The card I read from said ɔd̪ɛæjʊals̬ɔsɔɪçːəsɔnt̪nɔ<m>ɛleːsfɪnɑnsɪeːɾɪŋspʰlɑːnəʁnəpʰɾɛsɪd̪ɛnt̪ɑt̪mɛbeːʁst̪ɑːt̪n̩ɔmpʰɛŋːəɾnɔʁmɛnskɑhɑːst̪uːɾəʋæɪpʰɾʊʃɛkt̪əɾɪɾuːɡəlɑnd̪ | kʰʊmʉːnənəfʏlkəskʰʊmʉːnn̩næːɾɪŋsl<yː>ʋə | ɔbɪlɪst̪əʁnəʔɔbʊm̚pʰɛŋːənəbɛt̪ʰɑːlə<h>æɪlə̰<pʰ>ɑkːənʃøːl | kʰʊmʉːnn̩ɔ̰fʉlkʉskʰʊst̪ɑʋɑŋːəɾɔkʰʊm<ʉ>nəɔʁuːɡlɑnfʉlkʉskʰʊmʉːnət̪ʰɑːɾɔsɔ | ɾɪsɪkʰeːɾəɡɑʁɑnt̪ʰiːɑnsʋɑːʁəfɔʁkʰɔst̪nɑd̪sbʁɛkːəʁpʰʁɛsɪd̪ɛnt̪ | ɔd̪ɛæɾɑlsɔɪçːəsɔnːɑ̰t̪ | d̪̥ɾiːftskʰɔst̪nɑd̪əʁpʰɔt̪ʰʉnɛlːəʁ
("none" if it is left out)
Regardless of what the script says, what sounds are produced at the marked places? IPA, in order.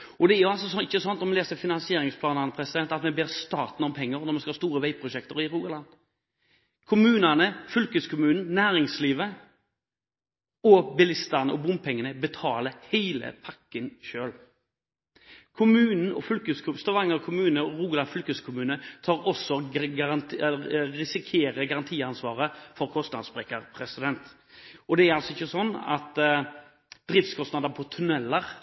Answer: m, iː, h, pʰ, ʉː

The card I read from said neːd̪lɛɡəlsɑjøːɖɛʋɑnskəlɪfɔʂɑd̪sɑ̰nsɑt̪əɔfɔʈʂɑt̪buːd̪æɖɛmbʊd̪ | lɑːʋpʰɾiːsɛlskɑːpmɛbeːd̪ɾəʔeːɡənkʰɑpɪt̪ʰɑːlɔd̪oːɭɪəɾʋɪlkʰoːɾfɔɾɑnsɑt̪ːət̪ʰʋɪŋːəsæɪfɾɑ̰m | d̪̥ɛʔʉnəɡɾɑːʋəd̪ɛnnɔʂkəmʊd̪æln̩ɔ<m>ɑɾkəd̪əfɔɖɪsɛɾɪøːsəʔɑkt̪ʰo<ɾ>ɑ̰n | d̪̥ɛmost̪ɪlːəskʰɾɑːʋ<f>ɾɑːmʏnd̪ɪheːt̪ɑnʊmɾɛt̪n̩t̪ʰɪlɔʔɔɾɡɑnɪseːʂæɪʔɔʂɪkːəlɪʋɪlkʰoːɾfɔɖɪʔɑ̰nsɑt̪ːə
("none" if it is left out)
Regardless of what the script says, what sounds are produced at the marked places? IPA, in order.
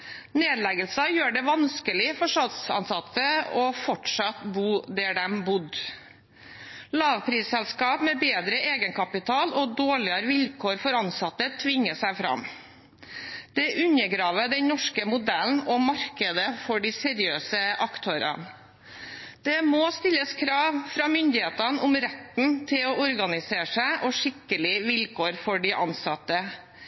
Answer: m, ɾ, f

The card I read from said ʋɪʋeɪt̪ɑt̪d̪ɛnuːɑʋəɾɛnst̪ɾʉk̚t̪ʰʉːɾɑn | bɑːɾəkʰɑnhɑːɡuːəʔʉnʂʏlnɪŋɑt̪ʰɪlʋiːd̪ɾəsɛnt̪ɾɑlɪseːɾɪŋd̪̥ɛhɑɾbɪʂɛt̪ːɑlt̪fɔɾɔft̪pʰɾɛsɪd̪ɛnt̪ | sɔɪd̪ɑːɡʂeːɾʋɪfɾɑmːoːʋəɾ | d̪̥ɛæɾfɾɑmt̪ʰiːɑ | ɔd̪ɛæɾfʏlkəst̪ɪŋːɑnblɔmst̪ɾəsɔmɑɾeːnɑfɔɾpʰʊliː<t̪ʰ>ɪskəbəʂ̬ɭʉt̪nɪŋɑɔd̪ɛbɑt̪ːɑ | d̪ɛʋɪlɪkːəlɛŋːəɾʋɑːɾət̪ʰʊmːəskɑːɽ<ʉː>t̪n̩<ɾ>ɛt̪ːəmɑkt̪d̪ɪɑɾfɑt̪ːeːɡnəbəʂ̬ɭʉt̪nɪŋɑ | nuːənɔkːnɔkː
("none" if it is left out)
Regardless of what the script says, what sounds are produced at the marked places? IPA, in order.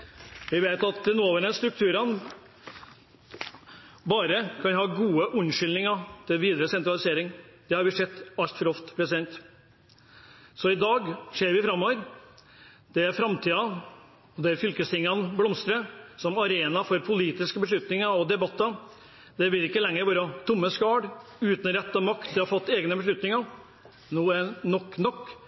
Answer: t̪, ʉː, ɾ

